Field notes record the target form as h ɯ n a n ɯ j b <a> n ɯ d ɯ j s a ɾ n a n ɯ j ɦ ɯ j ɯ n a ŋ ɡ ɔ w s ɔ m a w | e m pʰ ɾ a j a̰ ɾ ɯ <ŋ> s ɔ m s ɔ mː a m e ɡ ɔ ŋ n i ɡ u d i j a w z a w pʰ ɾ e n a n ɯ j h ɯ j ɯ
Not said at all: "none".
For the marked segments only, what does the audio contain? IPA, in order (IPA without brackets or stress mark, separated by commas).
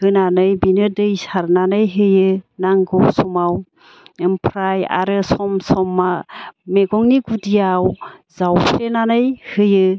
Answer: i, none